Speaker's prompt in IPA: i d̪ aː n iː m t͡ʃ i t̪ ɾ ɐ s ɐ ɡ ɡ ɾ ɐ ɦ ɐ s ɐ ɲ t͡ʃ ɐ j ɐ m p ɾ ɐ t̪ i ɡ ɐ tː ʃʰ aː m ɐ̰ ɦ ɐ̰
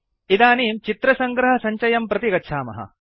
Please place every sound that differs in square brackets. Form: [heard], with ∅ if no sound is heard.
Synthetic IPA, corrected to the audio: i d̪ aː n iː m t͡ʃ i t̪ ɾ ɐ s ɐ [ŋ] ɡ ɾ ɐ ɦ ɐ s ɐ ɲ t͡ʃ ɐ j ɐ m p ɾ ɐ t̪ i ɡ ɐ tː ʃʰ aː m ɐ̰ ɦ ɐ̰